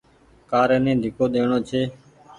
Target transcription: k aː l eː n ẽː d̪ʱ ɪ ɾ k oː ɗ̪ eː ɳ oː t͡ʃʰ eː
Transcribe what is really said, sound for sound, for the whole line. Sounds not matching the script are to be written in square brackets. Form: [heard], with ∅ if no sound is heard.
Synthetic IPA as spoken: k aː [ɾ] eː n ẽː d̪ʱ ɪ [∅] k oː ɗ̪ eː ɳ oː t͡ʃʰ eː